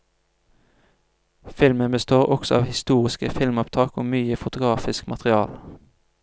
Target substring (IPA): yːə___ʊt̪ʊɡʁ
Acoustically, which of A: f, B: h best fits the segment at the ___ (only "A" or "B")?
A